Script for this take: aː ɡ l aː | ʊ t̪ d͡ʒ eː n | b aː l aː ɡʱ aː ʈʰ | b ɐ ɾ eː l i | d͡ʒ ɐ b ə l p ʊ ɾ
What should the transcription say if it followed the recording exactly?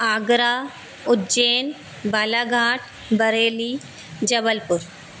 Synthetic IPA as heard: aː ɡ ɾ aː | ʊ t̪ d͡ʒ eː n | b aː l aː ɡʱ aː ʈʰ | b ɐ ɾ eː l i | d͡ʒ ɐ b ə l p ʊ ɾ